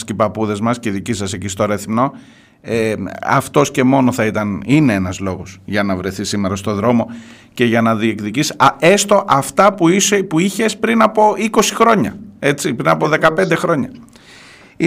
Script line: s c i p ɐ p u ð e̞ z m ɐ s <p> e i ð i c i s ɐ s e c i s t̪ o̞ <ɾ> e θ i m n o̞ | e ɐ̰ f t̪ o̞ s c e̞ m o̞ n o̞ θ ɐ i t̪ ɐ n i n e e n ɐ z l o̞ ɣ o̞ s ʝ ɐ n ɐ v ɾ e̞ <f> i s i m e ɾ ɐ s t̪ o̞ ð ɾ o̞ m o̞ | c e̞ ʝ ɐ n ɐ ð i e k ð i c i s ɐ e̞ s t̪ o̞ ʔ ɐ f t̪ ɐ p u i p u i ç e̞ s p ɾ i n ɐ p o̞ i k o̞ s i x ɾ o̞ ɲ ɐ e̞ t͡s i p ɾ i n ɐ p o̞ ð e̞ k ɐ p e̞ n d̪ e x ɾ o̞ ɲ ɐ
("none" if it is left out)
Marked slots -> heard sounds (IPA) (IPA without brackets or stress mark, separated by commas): c, ɾ, θ